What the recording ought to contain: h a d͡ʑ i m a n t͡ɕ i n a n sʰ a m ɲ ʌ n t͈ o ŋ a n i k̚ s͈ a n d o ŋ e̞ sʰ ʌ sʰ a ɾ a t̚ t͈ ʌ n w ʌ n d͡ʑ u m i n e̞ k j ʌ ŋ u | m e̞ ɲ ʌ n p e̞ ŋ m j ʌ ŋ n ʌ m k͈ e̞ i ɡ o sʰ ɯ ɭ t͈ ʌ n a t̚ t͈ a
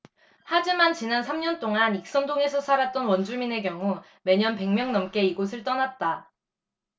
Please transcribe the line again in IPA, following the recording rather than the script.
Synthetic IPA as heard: h a d͡ʑ i m a n t͡ɕ i n a n sʰ a m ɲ ʌ n t͈ o ŋ a n i k̚ s͈ ʌ n d o ŋ e̞ sʰ ʌ sʰ a ɾ a t̚ t͈ ʌ n w ʌ n d͡ʑ u m i n e̞ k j ʌ ŋ u | m e̞ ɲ ʌ n p e̞ ŋ m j ʌ ŋ n ʌ m k͈ e̞ i ɡ o sʰ ɯ ɭ t͈ ʌ n a t̚ t͈ a